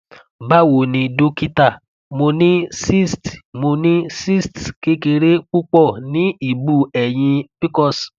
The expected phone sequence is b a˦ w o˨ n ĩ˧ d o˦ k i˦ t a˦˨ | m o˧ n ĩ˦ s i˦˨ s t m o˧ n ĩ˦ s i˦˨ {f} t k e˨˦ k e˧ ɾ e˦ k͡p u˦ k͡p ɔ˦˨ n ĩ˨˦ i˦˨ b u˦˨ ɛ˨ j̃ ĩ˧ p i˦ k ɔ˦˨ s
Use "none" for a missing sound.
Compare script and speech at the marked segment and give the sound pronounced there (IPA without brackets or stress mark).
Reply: s